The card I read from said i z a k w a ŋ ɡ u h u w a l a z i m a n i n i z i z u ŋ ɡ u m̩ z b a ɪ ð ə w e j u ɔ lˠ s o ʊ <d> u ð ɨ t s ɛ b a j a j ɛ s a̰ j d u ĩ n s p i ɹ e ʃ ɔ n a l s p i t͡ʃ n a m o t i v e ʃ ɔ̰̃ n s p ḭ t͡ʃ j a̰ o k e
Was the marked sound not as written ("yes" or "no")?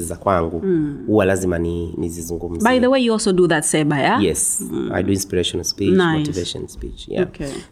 no